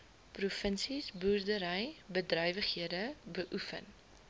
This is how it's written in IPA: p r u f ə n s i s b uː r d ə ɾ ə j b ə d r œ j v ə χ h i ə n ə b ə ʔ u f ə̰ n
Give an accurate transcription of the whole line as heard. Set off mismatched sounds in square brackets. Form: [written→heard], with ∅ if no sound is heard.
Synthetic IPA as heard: p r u f ə n s i s b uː r d ə ɾ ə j b ə d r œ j v ə χ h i ə [n→d] ə b ə ʔ u f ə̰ n